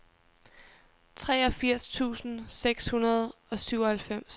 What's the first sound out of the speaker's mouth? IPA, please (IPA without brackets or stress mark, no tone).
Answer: t͡sʰ